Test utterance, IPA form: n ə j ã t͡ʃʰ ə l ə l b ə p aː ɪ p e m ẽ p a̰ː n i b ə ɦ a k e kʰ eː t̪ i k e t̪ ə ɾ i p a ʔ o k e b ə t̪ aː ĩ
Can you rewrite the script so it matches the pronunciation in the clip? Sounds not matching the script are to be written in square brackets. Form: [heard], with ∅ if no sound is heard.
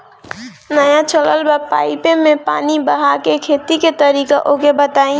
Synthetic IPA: n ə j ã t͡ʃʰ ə l ə l b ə p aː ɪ p e m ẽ p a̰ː n i b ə ɦ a k e kʰ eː t̪ i k e t̪ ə ɾ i [k] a ʔ o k e b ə t̪ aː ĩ